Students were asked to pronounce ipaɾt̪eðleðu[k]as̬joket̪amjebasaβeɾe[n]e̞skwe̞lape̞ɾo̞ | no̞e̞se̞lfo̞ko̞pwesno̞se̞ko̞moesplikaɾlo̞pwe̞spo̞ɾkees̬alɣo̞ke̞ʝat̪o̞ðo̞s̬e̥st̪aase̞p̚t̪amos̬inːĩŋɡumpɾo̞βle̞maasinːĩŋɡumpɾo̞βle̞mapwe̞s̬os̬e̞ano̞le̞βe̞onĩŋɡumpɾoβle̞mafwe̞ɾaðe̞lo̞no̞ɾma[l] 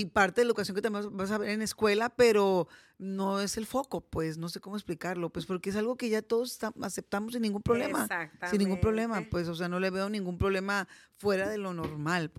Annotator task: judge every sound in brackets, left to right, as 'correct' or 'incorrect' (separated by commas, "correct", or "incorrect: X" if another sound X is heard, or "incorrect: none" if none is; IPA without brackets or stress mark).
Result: correct, correct, correct